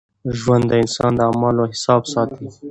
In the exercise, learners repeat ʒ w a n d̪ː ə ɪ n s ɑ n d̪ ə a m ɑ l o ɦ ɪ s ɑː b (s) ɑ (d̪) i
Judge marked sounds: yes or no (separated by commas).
yes, no